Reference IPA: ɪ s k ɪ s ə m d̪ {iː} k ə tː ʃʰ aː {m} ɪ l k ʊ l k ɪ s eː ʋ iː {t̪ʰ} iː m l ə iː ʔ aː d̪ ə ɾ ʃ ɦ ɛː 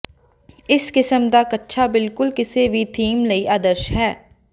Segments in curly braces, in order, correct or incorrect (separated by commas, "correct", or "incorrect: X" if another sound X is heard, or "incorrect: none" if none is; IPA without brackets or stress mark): incorrect: aː, incorrect: b, correct